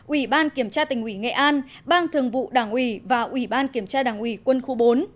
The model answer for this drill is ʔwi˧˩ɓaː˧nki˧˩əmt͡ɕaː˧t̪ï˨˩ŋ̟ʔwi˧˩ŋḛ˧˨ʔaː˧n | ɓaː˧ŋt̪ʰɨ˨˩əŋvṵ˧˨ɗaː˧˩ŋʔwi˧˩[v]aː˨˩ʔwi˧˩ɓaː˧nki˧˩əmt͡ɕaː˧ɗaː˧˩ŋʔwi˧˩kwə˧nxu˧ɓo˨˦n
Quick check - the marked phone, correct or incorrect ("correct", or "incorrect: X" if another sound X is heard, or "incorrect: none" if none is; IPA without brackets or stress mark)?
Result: correct